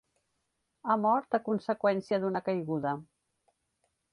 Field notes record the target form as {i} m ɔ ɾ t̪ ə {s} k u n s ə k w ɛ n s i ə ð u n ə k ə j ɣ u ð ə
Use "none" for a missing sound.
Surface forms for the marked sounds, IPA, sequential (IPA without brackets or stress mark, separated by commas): a, none